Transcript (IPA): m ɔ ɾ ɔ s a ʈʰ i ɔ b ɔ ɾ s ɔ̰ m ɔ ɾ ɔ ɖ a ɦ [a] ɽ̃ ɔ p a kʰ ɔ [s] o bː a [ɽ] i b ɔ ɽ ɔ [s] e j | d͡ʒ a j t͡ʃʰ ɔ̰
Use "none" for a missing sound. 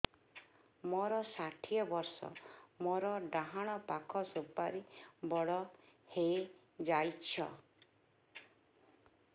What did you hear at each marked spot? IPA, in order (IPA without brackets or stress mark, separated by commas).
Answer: a, s, ɾ, h